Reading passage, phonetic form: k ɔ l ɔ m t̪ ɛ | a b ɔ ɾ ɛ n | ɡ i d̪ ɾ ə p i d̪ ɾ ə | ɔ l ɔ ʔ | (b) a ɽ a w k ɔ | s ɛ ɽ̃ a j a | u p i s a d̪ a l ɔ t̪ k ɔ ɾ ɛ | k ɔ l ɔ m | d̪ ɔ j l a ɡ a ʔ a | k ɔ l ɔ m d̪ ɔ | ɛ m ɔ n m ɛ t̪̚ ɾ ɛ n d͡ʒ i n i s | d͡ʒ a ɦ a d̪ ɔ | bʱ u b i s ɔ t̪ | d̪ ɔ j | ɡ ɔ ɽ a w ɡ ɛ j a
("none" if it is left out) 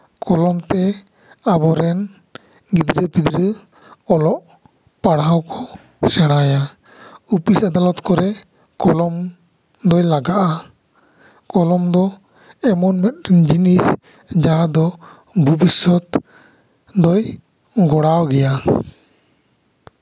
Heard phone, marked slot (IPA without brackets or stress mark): p